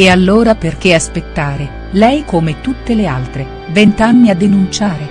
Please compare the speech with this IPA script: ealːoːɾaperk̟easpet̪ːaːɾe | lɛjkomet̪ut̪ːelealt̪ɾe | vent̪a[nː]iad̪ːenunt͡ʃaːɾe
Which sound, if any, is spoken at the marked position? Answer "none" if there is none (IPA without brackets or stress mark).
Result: nː